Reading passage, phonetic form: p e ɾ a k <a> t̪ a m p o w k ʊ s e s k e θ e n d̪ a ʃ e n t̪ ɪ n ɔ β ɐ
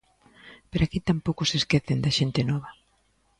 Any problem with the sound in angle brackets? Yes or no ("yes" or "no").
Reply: yes